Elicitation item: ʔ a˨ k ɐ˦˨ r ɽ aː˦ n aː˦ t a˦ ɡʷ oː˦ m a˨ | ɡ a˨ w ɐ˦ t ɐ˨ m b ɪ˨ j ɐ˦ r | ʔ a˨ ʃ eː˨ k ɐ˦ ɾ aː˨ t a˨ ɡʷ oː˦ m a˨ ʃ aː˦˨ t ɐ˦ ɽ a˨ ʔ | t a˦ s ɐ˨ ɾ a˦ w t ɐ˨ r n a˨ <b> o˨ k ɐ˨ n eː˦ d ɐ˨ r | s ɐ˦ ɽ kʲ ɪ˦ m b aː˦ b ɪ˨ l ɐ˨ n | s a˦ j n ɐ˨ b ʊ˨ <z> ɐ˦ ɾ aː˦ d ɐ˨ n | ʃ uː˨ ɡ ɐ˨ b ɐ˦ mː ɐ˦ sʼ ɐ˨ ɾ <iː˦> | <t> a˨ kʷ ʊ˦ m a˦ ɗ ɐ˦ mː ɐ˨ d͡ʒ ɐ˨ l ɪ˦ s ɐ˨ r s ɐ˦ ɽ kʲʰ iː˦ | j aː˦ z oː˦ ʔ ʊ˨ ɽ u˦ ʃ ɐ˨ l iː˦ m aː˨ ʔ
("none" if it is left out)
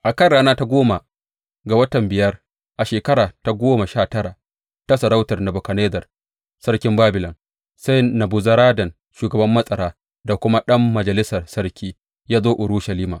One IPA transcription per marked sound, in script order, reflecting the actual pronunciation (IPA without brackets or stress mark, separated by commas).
b, z, aː˦, d